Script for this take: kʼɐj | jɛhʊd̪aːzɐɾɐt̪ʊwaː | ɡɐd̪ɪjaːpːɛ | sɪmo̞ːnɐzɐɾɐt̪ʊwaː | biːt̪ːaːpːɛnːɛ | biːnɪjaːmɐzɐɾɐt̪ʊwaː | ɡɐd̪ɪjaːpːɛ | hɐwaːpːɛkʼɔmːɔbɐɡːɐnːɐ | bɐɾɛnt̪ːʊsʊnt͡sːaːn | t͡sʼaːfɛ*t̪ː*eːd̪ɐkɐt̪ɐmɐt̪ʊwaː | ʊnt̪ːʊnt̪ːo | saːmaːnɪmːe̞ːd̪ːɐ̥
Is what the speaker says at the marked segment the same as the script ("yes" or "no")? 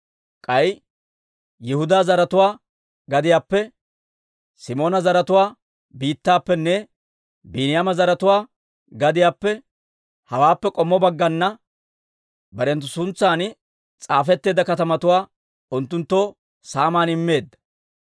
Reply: yes